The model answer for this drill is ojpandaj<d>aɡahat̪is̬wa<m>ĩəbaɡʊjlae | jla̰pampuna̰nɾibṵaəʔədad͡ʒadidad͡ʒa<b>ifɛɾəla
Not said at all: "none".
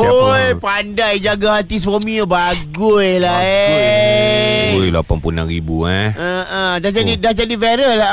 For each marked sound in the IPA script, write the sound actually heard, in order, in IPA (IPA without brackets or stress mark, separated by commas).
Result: d͡ʒ, m, d